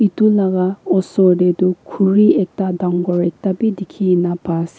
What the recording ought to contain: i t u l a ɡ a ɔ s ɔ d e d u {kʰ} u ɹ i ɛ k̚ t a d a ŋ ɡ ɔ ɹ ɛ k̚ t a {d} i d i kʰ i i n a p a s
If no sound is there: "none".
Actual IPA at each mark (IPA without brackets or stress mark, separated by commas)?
kʰ, b